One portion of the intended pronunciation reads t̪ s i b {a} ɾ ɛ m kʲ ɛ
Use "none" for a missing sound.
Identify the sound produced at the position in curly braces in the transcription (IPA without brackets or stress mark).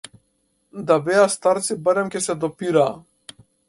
a